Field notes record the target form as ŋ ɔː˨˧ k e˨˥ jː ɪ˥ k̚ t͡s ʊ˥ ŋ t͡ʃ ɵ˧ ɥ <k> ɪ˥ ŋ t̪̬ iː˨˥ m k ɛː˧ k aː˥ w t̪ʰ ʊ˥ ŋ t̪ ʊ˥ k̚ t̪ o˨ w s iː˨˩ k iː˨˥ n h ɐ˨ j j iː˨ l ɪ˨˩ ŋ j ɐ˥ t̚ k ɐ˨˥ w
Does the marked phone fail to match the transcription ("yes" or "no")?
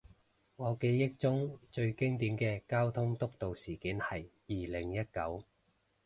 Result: no